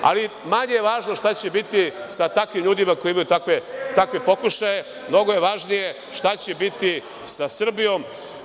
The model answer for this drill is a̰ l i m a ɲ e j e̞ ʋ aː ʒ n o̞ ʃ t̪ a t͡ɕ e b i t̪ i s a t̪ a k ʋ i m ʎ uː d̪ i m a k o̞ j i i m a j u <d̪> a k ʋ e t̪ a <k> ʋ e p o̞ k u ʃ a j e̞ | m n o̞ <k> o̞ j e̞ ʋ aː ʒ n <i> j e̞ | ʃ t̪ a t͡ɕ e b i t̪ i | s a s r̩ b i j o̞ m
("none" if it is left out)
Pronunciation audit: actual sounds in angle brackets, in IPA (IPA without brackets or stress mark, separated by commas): t̪, k, ɡ, i